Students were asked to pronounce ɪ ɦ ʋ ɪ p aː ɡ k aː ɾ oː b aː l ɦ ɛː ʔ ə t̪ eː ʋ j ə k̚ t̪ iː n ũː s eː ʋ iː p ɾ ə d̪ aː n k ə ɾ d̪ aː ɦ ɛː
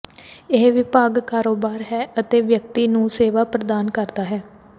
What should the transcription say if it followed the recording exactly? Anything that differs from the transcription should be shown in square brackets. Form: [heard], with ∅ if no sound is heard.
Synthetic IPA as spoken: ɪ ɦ ʋ ɪ p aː ɡ k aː ɾ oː b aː [ɾ] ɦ ɛː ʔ ə t̪ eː ʋ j ə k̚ t̪ iː n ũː s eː ʋ [aː] p ɾ ə d̪ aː n k ə ɾ d̪ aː ɦ ɛː